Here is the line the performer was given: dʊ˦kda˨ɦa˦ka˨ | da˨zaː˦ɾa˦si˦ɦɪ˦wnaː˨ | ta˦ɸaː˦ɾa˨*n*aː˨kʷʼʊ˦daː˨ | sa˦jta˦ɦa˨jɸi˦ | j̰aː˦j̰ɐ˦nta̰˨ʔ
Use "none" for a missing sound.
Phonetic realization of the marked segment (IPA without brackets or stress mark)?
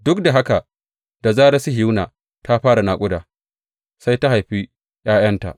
n